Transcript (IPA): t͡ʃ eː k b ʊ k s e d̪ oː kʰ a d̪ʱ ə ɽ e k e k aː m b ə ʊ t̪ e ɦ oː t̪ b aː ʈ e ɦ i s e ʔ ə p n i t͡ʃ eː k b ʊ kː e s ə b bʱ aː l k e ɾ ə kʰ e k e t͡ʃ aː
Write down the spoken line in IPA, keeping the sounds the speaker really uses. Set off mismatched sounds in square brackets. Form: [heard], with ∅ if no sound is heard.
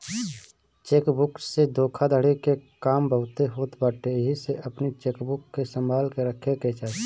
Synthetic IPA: t͡ʃ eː k b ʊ k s e d̪ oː kʰ a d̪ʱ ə ɽ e k e k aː m b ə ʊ t̪ e ɦ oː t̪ b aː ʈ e ɦ i s e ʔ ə p n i t͡ʃ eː k b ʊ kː e s ə [m] bʱ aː l k e ɾ ə kʰ e k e t͡ʃ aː